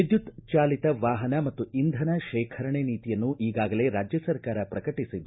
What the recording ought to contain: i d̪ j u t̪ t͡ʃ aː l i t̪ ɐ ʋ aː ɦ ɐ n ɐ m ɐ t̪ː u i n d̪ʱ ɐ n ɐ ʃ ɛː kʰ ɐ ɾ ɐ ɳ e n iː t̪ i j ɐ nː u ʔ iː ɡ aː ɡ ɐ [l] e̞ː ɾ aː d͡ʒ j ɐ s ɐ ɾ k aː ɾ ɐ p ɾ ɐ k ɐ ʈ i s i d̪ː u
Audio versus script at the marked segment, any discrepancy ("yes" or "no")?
no